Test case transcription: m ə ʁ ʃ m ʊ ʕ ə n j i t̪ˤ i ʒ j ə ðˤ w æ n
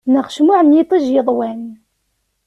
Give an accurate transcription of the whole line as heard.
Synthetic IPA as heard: n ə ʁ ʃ m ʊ ʕ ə n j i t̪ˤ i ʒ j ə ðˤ w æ n